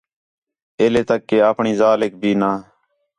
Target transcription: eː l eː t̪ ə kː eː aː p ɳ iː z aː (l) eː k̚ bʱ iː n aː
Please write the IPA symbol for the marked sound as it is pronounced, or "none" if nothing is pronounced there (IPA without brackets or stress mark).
l